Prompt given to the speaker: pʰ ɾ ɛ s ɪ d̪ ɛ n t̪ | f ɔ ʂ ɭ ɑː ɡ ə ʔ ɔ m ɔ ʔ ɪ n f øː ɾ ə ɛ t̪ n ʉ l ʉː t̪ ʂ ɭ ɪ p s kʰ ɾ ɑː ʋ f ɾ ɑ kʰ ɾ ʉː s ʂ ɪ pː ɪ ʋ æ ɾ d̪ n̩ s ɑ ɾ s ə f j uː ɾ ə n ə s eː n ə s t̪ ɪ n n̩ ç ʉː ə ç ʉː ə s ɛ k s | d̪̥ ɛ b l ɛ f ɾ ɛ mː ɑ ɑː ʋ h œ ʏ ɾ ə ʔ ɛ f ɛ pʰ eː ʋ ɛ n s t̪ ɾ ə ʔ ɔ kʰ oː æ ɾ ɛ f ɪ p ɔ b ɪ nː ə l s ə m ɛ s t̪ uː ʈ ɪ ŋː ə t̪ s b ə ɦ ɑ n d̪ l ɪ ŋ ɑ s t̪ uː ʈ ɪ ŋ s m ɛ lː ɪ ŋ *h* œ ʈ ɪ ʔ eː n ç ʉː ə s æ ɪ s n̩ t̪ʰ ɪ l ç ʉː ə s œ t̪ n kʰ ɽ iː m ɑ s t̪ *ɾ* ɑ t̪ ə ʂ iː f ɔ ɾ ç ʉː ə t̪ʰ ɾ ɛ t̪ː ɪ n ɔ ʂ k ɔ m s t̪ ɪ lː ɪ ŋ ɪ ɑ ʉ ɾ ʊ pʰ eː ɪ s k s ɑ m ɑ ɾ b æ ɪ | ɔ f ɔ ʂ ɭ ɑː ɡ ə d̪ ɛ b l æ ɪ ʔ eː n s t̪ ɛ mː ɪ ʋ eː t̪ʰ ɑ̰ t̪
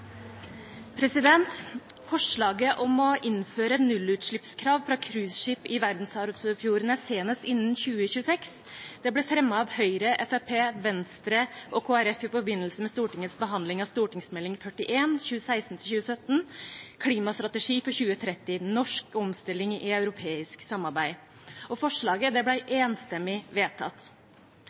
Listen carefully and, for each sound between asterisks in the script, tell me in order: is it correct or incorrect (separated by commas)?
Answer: incorrect, correct